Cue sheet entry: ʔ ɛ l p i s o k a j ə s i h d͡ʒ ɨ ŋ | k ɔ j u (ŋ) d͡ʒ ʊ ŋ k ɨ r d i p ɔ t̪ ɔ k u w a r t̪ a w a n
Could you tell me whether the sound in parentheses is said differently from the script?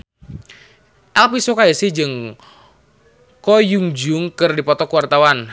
no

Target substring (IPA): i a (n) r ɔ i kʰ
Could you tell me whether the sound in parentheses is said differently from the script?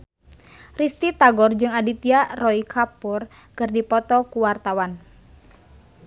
yes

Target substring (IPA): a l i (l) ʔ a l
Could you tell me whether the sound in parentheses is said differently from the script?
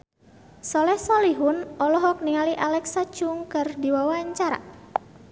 yes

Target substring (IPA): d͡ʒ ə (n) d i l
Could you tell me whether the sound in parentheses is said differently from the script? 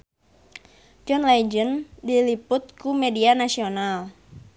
no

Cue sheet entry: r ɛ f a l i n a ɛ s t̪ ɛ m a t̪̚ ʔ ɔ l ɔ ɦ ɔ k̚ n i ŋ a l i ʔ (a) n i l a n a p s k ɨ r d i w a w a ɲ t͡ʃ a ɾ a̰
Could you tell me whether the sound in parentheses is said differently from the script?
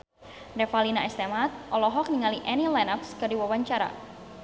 yes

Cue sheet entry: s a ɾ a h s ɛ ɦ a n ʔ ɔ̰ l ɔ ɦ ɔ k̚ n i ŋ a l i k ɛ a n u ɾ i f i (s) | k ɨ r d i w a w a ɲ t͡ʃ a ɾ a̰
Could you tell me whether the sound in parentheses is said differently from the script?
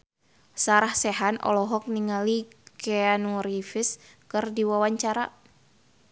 no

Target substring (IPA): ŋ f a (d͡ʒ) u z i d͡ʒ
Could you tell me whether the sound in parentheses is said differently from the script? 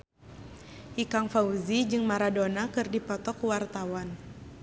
yes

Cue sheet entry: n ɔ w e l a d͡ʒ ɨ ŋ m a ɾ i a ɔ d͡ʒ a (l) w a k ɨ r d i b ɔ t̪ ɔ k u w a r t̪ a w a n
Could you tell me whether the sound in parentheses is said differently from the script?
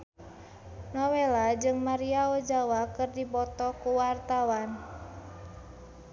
yes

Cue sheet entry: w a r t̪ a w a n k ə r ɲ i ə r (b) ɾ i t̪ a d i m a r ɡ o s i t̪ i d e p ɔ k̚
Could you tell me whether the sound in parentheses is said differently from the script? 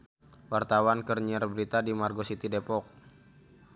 no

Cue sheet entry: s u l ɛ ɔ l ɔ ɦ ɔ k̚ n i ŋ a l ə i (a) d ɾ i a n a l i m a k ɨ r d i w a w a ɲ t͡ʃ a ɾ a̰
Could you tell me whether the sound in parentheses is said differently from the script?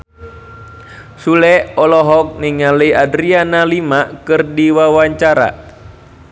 no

